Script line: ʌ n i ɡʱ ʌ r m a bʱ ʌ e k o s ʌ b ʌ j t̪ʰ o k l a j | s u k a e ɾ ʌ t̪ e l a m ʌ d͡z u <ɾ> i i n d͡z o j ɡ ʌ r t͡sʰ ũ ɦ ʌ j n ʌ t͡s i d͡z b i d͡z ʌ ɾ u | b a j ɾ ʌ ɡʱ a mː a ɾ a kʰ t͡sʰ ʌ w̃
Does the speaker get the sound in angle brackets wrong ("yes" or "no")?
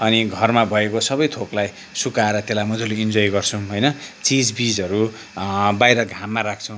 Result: yes